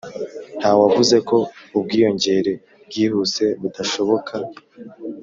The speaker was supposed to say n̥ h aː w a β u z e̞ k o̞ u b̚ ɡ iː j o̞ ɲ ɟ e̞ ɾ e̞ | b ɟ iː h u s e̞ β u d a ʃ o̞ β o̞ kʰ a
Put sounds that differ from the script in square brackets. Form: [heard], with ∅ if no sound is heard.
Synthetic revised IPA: n̥ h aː w a [v] u z e̞ k o̞ u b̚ ɡ iː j o̞ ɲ ɟ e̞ ɾ e̞ | b [ɡ] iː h u s e̞ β u d a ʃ o̞ β o̞ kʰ a